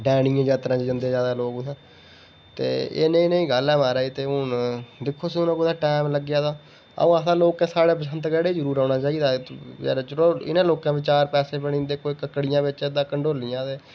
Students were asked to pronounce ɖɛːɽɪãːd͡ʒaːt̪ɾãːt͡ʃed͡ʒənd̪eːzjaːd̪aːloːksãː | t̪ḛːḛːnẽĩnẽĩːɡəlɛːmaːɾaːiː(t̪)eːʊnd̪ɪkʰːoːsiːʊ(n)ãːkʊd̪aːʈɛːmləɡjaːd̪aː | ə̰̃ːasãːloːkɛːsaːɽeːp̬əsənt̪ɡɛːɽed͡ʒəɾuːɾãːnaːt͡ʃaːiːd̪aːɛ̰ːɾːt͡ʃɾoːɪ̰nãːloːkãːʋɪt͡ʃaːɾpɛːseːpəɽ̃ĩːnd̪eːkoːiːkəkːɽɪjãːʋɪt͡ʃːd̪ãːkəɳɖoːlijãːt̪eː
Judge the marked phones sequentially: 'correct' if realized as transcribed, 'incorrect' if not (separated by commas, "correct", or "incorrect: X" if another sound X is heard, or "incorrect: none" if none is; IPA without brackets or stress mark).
correct, correct